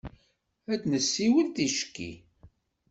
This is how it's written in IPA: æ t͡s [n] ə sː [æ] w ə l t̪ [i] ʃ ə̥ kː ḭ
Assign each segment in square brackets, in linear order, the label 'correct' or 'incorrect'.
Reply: correct, incorrect, correct

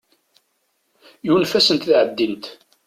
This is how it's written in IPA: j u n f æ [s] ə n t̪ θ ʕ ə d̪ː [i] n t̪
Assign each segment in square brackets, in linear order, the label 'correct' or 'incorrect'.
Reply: correct, correct

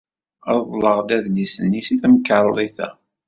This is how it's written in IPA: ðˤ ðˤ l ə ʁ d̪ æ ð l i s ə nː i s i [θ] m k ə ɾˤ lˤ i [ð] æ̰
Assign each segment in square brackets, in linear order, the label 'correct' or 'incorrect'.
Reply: correct, incorrect

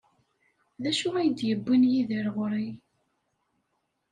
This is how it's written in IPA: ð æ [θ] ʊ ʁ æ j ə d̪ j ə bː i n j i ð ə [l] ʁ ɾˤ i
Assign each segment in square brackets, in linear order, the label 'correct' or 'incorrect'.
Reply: incorrect, incorrect

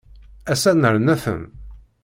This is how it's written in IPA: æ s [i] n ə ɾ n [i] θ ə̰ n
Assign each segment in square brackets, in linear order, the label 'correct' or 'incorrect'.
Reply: incorrect, incorrect

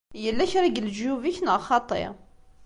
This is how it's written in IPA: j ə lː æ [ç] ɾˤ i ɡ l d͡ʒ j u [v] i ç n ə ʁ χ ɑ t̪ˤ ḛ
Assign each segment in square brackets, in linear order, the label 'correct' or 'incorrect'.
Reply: correct, correct

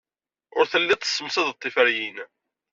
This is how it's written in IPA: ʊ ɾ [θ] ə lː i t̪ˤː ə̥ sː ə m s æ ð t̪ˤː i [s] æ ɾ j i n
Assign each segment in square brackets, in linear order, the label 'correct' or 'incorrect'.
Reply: correct, incorrect

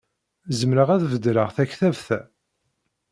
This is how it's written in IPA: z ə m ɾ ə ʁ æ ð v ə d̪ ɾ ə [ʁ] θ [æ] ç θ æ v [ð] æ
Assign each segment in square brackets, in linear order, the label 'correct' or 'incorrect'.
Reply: correct, correct, incorrect

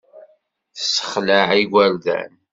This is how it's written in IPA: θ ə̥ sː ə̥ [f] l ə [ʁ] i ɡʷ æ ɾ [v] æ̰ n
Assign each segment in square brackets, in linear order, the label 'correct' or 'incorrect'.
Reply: incorrect, incorrect, incorrect

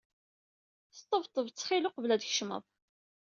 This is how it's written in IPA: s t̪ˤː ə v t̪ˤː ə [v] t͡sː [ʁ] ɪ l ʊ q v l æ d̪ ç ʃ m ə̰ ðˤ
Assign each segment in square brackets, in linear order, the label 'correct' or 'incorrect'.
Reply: correct, incorrect

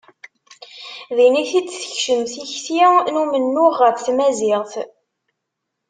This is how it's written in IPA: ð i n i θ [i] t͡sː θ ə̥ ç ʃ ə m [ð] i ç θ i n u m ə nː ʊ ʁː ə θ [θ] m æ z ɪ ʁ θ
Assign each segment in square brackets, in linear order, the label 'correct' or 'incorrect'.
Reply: correct, incorrect, correct

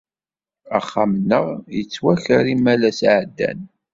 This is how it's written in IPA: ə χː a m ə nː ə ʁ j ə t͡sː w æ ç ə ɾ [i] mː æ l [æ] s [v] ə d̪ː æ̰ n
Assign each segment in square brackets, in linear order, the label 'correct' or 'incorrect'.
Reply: correct, correct, incorrect

